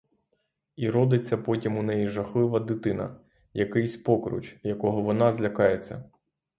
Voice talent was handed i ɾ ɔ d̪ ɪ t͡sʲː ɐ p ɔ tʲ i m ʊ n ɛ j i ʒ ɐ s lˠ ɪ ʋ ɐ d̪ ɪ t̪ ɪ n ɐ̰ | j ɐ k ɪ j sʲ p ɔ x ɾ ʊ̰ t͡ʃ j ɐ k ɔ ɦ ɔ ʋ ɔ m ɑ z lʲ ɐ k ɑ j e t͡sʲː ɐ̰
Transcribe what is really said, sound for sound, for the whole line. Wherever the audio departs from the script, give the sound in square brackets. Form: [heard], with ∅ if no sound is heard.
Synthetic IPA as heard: i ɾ ɔ d̪ ɪ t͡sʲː ɐ p ɔ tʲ i m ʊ n ɛ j i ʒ ɐ [x] lˠ ɪ ʋ ɐ d̪ ɪ t̪ ɪ n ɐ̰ | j ɐ k ɪ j sʲ p ɔ [k] ɾ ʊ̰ t͡ʃ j ɐ k ɔ ɦ ɔ ʋ ɔ [n] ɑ z lʲ ɐ k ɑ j e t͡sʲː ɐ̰